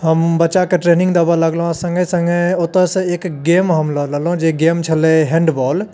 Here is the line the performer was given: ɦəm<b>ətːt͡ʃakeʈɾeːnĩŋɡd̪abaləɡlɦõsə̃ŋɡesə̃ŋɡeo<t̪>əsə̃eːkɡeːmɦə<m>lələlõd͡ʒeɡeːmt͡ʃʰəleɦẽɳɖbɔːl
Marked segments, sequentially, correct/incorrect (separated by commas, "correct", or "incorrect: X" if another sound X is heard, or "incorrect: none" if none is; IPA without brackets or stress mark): correct, correct, correct